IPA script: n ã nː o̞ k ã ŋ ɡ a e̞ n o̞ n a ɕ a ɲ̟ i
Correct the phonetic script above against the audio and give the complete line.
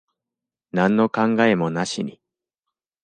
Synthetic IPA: n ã nː o̞ k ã ŋ ɡ a e̞ m o̞ n a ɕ i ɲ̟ i

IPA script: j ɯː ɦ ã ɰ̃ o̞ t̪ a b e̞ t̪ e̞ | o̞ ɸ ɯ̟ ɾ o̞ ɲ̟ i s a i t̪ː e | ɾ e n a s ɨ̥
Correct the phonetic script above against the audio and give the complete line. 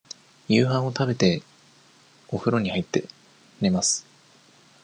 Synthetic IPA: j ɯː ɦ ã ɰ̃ o̞ t̪ a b e̞ t̪ e̞ | o̞ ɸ ɯ̟ ɾ o̞ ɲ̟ i h a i t̪ː e | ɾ e m a s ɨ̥

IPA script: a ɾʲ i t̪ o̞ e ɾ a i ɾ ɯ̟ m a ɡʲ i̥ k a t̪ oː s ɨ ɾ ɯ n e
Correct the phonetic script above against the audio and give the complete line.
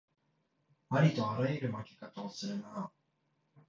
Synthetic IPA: a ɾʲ i t̪ o̞ a ɾ a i ɾ ɯ̟ m a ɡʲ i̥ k a t̪ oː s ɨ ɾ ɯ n a

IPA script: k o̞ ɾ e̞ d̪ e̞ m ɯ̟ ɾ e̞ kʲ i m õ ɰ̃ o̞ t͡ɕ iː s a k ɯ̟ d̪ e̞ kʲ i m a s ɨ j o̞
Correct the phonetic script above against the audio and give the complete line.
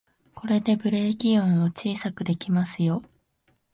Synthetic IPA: k o̞ ɾ e̞ d̪ e̞ b ɯ̟ ɾ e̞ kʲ i õ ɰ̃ o̞ t͡ɕ iː s a k ɯ̟ d̪ e̞ kʲ i m a s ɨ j o̞

